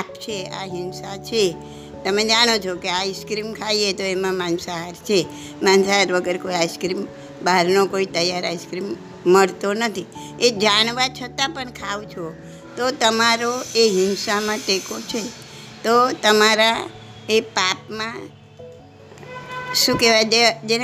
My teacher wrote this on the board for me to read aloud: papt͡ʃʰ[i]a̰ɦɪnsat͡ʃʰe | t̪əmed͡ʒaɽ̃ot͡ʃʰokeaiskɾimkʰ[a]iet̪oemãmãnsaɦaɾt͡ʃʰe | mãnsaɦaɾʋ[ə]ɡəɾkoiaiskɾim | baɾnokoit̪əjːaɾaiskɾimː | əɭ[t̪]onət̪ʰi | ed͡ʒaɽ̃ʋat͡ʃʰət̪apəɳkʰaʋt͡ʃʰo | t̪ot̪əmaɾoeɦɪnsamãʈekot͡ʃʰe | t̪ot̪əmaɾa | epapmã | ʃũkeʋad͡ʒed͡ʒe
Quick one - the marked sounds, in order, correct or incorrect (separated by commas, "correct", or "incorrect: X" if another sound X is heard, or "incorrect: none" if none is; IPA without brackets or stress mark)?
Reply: incorrect: e, correct, correct, correct